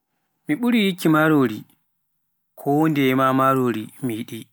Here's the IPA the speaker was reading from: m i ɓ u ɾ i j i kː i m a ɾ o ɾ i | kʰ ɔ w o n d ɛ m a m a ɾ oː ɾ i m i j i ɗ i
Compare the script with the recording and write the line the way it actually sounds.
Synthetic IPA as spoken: m i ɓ u ɾ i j i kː i m a ɾ o ɾ i | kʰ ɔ w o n d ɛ m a m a ɾ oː ɾ i m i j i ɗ i